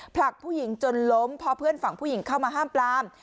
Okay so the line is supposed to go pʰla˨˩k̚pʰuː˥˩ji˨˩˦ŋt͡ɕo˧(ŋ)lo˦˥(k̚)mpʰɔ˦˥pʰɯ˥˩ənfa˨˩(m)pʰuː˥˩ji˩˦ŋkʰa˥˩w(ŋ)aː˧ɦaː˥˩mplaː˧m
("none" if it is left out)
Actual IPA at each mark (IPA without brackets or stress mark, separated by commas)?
n, none, ŋ, m